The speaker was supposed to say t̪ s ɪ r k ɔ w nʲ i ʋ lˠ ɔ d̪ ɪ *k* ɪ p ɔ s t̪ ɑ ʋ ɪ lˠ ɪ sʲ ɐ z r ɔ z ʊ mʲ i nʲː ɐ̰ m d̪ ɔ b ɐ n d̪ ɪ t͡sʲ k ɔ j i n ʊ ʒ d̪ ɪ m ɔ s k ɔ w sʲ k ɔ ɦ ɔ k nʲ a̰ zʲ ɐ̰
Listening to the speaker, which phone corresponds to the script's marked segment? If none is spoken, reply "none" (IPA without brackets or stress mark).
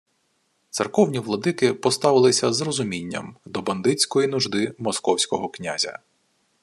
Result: k